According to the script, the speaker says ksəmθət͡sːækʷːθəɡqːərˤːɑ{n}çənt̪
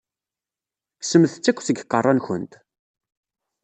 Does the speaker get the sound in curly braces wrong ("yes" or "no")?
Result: no